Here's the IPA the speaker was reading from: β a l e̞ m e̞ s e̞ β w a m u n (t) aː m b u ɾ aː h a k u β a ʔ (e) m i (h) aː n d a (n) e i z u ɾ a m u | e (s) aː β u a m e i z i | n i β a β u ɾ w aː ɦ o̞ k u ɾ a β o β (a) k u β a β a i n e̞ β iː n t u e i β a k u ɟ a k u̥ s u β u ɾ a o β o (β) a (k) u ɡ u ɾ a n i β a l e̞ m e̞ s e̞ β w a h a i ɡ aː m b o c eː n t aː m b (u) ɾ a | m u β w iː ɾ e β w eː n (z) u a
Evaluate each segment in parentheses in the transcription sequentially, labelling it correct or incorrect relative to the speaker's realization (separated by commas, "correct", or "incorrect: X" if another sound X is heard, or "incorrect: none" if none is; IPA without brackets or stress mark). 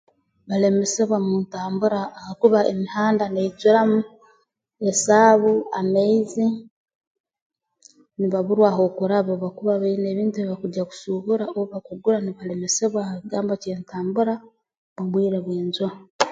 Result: correct, correct, correct, correct, correct, correct, correct, correct, correct, correct